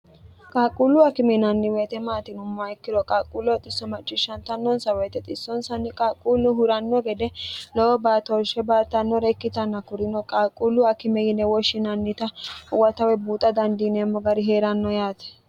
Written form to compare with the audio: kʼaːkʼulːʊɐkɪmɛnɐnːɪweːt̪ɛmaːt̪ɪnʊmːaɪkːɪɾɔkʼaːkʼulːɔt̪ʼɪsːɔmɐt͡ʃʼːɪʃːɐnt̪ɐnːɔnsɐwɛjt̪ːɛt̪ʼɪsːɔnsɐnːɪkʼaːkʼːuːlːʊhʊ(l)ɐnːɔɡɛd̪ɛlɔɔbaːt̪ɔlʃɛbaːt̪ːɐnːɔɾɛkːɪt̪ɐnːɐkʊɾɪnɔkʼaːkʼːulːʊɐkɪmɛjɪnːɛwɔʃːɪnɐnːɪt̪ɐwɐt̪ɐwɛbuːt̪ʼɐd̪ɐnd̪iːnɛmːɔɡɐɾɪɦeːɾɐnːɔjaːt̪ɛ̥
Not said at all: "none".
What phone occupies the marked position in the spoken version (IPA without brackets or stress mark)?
ɾ